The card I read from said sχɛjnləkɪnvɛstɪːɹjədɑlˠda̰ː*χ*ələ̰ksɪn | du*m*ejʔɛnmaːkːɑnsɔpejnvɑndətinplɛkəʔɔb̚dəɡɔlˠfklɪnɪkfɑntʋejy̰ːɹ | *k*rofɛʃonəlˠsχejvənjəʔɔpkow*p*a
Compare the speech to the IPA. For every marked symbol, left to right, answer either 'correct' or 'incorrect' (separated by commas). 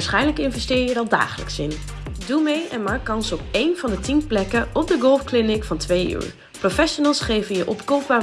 correct, correct, incorrect, correct